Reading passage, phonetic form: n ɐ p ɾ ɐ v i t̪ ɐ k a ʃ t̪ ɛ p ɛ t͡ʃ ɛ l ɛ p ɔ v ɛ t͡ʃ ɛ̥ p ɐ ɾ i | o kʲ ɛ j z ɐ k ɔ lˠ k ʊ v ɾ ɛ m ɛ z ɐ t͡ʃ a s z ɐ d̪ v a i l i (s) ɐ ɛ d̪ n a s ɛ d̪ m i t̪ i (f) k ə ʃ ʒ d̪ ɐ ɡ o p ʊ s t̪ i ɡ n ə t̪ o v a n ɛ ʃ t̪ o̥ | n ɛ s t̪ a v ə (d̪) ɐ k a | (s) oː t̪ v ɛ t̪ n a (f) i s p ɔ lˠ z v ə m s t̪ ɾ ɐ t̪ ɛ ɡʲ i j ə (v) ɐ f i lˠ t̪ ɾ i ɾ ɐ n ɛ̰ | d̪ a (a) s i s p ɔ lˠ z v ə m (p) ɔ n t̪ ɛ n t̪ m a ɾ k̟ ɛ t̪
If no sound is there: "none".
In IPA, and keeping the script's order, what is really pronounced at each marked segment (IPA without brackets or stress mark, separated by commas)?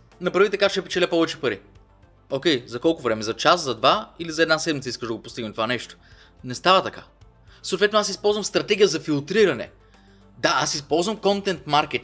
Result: z, s, t̪, s, s, z, a, k